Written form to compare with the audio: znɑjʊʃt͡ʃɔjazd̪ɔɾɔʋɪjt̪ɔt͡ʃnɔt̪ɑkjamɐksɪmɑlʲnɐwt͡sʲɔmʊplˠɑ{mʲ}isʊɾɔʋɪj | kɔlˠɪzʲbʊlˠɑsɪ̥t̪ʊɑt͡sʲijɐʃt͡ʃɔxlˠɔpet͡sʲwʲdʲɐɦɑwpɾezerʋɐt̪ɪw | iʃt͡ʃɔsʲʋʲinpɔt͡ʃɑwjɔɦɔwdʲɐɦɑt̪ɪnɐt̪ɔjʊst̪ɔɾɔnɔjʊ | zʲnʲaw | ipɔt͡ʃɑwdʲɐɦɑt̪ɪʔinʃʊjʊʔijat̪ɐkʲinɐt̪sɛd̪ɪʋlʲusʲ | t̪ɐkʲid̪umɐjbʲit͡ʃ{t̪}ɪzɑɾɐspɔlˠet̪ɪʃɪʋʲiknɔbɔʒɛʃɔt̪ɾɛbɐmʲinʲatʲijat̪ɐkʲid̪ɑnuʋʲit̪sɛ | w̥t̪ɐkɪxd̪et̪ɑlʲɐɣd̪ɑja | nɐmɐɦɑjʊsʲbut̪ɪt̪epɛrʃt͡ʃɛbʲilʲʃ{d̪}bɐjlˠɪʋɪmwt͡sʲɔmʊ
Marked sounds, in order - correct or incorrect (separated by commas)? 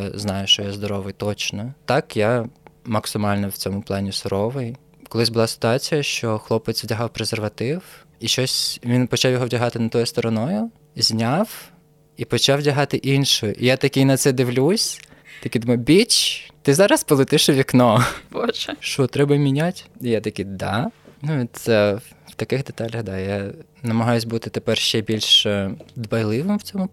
incorrect, correct, correct